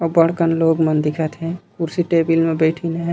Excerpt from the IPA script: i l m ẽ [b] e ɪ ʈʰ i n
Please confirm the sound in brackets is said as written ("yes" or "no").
yes